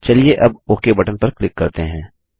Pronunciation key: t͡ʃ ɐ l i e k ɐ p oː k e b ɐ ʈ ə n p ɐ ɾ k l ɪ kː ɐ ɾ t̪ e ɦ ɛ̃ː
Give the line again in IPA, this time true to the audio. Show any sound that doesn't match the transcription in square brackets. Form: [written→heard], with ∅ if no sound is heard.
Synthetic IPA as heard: t͡ʃ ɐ l i e [k→ʔ] ɐ [p→b] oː k e b ɐ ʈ ə n p ɐ ɾ k l ɪ kː ɐ ɾ t̪ e ɦ ɛ̃ː